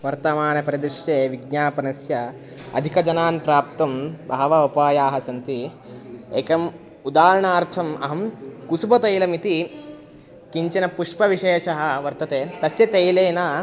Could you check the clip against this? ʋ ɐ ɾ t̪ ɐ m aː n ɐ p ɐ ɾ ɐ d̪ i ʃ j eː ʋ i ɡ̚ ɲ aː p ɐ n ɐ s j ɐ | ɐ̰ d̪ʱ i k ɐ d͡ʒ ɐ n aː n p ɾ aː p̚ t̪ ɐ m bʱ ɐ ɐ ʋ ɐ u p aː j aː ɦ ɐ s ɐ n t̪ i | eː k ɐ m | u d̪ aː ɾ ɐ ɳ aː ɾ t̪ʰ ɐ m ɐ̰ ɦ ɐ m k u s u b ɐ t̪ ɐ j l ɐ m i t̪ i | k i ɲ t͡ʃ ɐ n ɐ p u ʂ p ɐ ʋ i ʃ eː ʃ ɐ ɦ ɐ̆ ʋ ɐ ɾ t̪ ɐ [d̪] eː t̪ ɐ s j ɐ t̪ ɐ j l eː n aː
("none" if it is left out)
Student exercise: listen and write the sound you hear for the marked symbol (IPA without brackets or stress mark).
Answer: t̪